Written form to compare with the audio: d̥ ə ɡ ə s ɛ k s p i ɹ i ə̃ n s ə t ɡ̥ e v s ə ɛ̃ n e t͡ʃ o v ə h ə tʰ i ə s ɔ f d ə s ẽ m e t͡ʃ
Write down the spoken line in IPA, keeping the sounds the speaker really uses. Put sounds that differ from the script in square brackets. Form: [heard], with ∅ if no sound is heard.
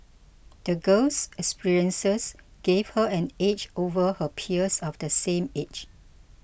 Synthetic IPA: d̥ ə ɡ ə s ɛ k s p i ɹ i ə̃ n s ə [s] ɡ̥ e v [h] ə ɛ̃ n e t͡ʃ o v ə h ə [pʰ] i ə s ɔ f d ə s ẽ m e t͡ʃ